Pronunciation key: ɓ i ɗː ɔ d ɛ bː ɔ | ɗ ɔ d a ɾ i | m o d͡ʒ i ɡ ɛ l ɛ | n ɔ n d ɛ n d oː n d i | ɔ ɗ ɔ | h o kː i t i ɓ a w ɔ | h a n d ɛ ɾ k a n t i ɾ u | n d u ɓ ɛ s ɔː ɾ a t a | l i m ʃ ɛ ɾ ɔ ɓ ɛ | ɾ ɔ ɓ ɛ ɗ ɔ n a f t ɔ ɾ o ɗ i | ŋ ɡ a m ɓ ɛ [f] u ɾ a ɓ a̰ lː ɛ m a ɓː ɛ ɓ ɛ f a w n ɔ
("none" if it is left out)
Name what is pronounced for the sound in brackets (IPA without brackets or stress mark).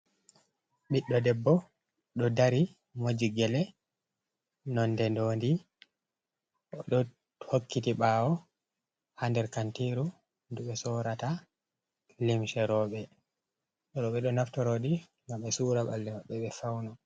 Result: s